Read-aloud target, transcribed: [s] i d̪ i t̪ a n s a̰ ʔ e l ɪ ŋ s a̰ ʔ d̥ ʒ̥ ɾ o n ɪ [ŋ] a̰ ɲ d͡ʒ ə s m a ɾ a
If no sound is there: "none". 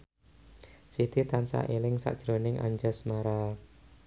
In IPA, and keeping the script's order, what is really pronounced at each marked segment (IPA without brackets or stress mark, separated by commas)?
s, ŋ